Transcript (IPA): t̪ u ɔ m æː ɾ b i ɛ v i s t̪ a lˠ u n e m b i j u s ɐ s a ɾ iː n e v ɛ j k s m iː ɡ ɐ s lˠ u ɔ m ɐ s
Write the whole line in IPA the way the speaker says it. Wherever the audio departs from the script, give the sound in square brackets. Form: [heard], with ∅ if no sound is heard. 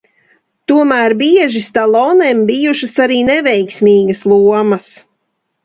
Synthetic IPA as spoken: t̪ u ɔ m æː ɾ b i ɛ [ʒ] i s t̪ a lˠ [ɔ] n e m b i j u [ʃ] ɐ s a ɾ iː n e v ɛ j k s m iː ɡ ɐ s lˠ u ɔ m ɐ s

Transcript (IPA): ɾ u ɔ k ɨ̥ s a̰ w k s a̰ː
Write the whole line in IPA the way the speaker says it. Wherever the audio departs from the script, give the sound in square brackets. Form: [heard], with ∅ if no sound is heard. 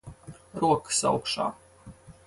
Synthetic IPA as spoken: ɾ u ɔ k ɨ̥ s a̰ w k [ʃ] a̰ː

